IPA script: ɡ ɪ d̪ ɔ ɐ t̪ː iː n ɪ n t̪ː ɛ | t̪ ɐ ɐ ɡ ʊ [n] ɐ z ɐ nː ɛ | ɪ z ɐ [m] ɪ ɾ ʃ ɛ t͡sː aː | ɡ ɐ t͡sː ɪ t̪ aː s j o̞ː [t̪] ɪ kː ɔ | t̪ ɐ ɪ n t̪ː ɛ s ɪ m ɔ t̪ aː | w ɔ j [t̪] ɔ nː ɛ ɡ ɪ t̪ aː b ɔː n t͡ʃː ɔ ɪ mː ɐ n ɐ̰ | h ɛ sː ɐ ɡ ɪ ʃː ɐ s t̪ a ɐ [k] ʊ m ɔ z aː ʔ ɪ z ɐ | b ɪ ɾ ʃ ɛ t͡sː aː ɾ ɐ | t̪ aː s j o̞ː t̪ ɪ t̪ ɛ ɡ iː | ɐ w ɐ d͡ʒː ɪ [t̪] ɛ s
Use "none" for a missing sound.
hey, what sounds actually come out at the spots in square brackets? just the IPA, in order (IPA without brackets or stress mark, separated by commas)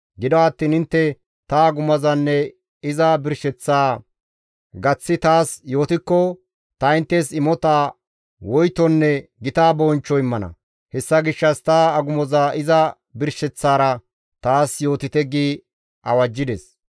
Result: m, b, t̪, t̪, ɡ, d̪